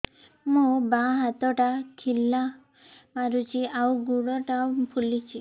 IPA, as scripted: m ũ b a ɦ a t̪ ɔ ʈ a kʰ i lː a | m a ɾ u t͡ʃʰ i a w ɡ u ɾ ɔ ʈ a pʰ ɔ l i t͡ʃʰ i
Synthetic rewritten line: m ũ b a ɦ a t̪ ɔ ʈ a kʰ i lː a | m a ɾ u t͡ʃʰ i a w ɡ u ɽ ɔ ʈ a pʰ u l i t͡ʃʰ i